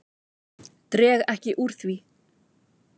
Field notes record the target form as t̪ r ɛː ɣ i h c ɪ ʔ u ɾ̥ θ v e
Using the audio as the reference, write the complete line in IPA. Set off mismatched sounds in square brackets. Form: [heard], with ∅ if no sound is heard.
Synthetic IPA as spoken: t̪ [ɾ] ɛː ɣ [ɛ] h c ɪ ʔ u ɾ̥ θ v [i]